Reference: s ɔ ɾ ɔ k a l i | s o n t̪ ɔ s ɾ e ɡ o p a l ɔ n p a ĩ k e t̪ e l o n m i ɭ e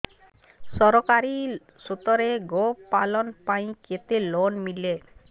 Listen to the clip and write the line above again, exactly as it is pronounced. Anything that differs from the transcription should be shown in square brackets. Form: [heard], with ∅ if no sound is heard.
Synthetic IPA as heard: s ɔ ɾ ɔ k a [ɾ] i | s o [∅] t̪ ɔ [∅] ɾ e ɡ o p a l ɔ n p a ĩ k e t̪ e l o n m i [l] e